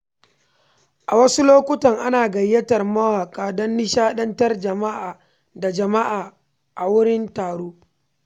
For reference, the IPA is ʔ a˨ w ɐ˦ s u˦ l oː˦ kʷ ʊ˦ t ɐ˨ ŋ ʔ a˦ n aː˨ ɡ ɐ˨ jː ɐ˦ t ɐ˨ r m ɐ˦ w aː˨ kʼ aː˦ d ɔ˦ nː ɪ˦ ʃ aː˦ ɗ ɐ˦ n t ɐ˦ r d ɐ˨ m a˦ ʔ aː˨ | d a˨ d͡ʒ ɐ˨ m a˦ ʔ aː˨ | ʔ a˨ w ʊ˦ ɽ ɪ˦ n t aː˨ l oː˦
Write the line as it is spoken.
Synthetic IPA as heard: ʔ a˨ w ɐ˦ s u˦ l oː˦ kʷ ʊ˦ t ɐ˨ ŋ ʔ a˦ n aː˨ ɡ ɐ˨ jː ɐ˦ t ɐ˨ r m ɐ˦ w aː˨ kʼ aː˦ d ɔ˦ nː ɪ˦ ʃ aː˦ ɗ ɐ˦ n t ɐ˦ r d͡ʒ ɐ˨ m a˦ ʔ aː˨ | d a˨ d͡ʒ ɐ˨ m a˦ ʔ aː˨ | ʔ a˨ w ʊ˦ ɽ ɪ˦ n t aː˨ ɽ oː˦